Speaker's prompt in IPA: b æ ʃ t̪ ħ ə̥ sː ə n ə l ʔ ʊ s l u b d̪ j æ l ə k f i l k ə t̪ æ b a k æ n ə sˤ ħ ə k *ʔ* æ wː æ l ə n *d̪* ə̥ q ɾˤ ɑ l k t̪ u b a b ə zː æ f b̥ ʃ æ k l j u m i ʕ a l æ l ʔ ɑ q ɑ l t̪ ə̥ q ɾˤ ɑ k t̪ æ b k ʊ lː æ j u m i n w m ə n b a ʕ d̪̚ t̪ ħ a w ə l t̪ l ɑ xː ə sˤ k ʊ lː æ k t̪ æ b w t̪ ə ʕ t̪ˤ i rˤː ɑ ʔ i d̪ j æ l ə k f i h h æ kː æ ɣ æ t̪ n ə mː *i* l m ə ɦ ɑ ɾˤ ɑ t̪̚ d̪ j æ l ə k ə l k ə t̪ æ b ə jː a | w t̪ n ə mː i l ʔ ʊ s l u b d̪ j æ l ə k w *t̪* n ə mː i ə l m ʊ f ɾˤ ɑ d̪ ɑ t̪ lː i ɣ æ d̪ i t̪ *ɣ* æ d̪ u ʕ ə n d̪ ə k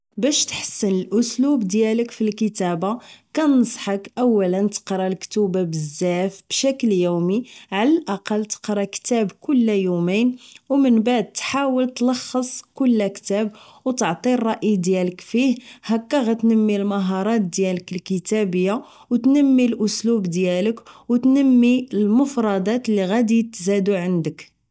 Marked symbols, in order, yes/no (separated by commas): yes, no, yes, yes, no